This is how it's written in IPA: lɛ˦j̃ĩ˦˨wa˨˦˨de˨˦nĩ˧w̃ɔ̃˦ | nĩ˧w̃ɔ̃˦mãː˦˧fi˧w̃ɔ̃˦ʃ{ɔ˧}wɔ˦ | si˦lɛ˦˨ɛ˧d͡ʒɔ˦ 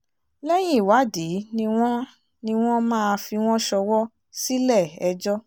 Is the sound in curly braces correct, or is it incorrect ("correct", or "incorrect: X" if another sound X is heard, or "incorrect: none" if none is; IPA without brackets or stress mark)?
correct